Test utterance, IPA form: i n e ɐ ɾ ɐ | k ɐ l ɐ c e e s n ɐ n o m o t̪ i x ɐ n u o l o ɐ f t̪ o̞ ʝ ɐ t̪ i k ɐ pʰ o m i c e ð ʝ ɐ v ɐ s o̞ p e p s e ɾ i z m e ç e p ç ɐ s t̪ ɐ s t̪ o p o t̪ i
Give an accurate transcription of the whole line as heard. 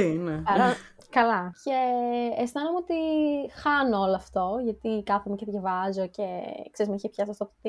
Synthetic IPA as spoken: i n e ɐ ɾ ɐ | k ɐ l ɐ c e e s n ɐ n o m o t̪ i x ɐ n o o l o ɐ f t̪ o̞ ʝ ɐ t̪ i k ɐ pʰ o m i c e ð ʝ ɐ v ɐ z o̞ c e k s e ɾ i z m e ç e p ç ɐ s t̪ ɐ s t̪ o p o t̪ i